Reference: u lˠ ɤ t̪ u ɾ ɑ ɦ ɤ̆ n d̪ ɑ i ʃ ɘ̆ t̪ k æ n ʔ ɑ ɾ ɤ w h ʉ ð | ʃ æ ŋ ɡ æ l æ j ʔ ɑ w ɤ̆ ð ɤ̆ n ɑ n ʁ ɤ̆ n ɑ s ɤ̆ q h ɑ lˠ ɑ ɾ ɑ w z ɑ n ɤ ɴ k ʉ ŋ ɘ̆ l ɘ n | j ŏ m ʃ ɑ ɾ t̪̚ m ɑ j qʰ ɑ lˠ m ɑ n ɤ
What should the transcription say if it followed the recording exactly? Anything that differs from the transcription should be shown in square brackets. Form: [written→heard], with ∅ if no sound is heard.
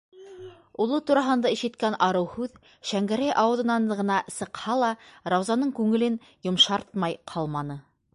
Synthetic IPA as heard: u lˠ ɤ t̪ u ɾ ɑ ɦ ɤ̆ n d̪ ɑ i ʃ ɘ̆ t̪ k æ n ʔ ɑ ɾ ɤ w h ʉ ð | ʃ æ ŋ ɡ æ [l→ɾ] æ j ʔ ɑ w ɤ̆ ð ɤ̆ n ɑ n ʁ ɤ̆ n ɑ s ɤ̆ q h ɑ lˠ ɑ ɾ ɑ w z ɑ n ɤ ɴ k ʉ ŋ ɘ̆ l ɘ n | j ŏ m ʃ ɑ ɾ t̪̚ m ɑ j qʰ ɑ lˠ m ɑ n ɤ